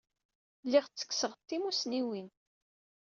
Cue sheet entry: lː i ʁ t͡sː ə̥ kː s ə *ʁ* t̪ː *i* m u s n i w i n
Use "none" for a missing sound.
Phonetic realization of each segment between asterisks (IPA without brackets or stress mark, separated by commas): ʁ, i